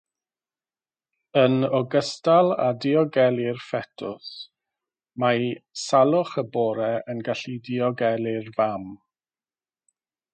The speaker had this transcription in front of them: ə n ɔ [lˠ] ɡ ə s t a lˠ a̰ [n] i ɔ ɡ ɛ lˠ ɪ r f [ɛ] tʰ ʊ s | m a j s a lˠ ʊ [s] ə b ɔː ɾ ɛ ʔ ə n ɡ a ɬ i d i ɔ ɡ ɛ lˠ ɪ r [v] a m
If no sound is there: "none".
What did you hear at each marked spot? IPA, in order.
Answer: none, d, ɛ, χ, v

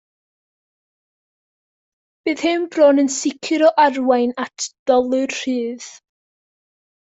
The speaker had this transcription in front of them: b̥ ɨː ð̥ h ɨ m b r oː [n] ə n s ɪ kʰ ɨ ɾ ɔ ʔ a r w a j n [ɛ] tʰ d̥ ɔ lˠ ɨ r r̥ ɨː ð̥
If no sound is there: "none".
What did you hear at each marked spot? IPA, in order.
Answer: n, a

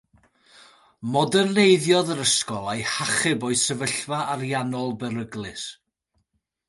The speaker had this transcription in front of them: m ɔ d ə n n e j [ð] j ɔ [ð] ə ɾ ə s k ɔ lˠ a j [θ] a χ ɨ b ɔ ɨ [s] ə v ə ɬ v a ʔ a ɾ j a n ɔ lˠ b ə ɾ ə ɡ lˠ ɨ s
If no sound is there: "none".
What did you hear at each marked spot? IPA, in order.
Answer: ð, ð, h, s

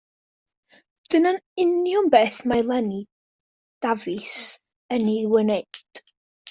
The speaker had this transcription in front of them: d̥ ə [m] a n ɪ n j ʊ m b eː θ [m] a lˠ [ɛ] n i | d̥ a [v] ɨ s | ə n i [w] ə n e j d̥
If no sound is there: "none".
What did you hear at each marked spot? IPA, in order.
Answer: n, m, ɛ, v, w

